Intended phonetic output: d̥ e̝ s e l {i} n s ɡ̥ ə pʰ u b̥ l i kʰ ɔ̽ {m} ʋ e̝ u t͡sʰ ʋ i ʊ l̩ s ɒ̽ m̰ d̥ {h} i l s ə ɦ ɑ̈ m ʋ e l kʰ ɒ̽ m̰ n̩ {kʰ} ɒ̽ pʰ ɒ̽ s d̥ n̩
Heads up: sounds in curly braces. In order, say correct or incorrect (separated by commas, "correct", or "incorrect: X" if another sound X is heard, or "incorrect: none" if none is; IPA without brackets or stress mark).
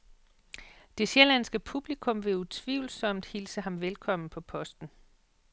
incorrect: æ, correct, correct, incorrect: pʰ